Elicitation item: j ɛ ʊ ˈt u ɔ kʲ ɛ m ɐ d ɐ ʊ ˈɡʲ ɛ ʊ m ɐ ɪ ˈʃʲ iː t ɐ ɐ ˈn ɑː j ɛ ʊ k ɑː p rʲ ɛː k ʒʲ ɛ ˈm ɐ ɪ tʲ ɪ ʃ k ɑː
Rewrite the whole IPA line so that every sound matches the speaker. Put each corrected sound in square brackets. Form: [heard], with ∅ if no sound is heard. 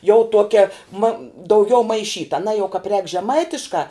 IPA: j ɛ ʊ ˈt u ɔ kʲ ɛ m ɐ d ɐ ʊ ˈɡʲ ɛ ʊ m ɐ ɪ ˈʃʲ iː t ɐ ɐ ˈn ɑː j ɛ ʊ k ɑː p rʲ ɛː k ʒʲ ɛ ˈm ɐ ɪ tʲ ɪ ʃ k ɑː